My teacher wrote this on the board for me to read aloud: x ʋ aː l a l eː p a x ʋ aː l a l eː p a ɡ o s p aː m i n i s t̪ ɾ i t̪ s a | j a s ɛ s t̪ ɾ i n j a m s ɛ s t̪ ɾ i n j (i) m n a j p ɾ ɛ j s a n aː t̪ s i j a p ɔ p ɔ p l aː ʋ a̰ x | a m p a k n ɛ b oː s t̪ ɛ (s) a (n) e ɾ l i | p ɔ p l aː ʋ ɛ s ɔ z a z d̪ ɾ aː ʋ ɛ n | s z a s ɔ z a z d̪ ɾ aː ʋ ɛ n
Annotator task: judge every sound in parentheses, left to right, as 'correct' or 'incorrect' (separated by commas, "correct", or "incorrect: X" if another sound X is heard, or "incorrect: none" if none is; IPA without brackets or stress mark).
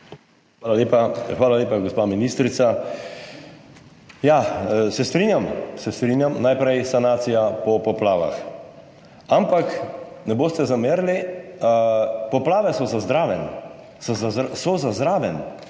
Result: incorrect: a, incorrect: z, incorrect: m